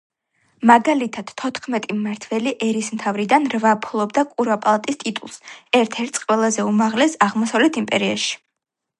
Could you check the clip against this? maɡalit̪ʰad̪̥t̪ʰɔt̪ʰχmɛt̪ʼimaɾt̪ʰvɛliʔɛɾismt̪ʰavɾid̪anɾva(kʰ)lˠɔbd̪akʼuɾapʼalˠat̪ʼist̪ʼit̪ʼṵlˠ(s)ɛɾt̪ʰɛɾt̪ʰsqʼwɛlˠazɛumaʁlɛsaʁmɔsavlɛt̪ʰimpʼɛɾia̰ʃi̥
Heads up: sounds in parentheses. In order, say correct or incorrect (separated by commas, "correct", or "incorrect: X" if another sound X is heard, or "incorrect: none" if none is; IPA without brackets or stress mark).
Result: incorrect: pʰ, correct